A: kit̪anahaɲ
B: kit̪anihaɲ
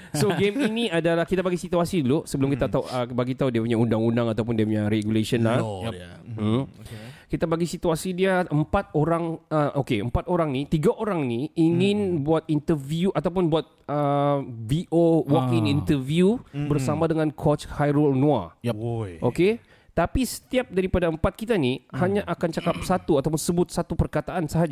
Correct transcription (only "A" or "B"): B